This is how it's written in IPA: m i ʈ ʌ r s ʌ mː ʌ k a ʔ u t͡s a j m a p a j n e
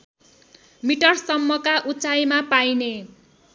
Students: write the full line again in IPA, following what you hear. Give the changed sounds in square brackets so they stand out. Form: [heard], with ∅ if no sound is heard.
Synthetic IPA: m i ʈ ʌ r s ʌ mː ʌ k a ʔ u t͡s a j m a p a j n e